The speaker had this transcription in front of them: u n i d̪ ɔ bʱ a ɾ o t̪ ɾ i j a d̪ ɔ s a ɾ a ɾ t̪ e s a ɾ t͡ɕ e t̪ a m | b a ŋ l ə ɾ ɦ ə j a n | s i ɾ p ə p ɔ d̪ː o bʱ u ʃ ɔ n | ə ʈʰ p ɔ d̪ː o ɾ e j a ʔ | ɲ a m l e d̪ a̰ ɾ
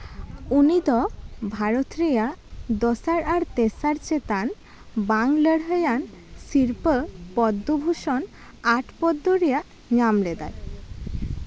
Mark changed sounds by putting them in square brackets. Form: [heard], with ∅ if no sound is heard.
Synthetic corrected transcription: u n i d̪ ɔ bʱ a ɾ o t̪ ɾ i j a d̪ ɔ s a ɾ a ɾ t̪ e s a ɾ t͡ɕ e t̪ a [n] | b a ŋ l ə [ɽ] ɦ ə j a n | s i ɾ p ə p ɔ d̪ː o bʱ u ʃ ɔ n | [a] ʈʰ p ɔ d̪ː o ɾ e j a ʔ | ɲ a m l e d̪ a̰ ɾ